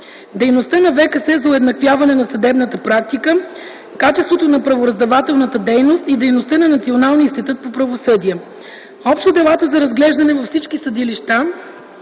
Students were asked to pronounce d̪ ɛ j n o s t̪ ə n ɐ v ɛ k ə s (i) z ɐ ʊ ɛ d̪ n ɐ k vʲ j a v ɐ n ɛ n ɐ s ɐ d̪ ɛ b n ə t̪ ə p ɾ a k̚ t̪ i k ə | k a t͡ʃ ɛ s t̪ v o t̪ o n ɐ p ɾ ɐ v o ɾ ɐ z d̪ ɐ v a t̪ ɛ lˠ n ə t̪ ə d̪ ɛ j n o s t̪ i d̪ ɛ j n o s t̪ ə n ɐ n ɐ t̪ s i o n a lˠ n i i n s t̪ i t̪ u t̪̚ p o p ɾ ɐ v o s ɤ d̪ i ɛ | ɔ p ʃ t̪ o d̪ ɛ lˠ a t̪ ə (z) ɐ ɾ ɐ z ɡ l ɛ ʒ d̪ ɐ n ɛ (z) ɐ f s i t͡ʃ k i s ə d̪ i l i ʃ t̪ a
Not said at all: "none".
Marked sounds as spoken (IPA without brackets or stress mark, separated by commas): ɛ, z, v